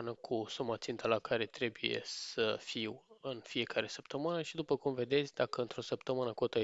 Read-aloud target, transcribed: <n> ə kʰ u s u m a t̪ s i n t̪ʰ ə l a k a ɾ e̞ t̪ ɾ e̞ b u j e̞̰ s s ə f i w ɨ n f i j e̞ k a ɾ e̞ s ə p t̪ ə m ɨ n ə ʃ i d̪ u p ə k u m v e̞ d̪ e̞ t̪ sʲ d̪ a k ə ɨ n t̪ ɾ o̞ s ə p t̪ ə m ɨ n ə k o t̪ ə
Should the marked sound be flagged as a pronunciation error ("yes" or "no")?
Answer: no